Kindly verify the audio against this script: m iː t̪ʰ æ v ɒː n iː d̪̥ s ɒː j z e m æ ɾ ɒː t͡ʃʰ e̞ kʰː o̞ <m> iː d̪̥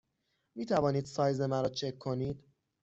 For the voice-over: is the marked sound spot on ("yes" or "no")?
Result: no